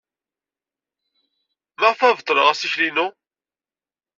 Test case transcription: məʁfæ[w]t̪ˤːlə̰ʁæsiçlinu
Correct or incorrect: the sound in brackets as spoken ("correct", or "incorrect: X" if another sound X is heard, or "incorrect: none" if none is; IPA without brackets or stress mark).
incorrect: v